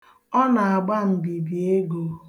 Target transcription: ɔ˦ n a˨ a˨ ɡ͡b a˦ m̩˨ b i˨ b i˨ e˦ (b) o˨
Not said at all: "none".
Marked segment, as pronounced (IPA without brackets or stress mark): ɡ